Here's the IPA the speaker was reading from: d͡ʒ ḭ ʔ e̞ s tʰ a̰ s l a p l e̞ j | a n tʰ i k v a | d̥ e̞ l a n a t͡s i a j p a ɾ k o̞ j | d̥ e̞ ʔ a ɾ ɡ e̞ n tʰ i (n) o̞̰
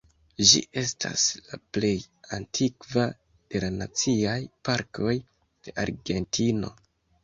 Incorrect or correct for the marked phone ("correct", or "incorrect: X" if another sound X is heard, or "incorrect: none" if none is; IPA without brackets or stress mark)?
correct